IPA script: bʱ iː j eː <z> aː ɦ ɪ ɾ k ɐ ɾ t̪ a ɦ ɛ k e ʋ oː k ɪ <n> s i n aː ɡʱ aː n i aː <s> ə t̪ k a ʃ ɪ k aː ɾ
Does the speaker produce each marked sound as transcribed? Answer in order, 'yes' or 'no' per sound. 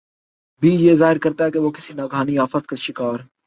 yes, no, no

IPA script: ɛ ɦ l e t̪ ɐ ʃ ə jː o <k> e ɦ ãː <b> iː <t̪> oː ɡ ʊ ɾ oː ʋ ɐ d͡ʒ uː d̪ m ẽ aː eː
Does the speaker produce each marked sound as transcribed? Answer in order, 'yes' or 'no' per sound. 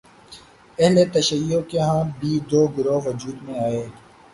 yes, yes, no

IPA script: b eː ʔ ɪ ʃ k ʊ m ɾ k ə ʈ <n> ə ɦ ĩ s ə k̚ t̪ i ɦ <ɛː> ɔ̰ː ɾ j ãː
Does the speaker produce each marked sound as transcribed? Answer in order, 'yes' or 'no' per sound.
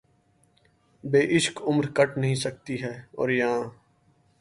yes, yes

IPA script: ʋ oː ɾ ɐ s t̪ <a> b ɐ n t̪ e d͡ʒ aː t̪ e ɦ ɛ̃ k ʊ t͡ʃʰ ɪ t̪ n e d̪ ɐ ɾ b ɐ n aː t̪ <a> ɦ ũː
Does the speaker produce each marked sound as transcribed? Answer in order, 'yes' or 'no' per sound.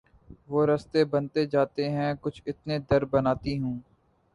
no, no

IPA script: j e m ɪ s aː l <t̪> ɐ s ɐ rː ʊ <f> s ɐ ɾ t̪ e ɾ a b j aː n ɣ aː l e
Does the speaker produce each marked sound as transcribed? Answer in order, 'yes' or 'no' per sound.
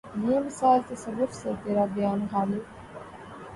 yes, yes

